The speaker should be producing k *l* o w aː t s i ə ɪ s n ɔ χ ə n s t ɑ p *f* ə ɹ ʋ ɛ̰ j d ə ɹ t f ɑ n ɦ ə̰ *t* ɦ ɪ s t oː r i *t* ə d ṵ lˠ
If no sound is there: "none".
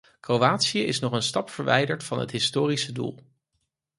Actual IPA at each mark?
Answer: r, f, t, s

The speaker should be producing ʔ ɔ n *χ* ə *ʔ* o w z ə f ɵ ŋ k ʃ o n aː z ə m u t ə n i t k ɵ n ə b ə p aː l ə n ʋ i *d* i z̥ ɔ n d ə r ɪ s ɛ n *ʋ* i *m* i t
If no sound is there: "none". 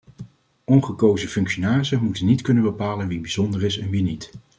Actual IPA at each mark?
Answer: χ, k, b, ʋ, n

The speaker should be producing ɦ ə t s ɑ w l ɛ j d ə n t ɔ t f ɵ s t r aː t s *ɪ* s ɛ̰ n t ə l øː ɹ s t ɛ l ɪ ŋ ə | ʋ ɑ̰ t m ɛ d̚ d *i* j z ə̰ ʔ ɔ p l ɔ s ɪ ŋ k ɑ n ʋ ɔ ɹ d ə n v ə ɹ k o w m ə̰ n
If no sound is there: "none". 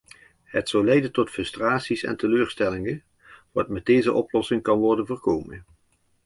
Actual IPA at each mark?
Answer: i, e

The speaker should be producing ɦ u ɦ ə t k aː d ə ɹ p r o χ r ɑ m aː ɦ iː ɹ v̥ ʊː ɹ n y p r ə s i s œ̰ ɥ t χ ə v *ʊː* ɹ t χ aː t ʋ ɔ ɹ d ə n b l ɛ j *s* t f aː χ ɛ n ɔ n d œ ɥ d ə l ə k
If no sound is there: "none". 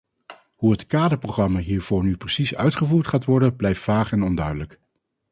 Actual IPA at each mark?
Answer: uː, f

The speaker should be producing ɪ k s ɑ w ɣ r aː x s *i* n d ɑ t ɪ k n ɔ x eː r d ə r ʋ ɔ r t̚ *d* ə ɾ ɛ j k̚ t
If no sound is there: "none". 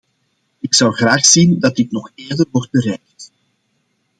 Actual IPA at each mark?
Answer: i, b

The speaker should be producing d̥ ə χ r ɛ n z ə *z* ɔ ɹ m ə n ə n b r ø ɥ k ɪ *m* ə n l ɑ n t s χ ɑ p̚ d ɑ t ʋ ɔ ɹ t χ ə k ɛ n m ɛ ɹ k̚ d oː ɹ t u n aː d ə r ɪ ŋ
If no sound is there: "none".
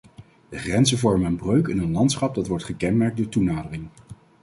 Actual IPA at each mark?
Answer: v, n

